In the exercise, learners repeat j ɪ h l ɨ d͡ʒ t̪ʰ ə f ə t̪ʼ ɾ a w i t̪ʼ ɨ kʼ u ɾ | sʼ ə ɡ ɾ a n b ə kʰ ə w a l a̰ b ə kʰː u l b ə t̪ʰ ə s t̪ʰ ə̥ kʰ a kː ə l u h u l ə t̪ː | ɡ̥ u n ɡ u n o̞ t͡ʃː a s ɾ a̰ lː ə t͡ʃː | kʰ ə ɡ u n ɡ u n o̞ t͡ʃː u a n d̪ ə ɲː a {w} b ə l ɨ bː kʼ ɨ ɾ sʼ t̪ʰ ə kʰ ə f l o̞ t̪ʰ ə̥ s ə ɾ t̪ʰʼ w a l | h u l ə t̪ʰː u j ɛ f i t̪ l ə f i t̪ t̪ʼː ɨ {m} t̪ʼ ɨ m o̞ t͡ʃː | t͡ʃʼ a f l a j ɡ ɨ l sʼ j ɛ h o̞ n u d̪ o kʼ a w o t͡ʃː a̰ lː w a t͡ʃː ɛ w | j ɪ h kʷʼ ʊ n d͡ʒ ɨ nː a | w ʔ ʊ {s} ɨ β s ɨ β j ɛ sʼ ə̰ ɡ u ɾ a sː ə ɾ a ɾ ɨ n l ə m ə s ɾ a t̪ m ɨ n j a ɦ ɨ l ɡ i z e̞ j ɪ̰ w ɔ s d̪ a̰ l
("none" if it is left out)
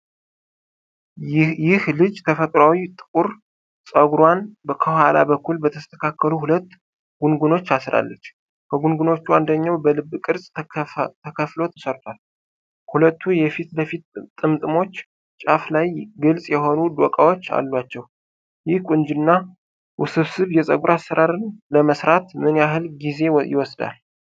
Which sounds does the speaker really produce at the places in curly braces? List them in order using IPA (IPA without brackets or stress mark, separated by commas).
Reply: w, m, s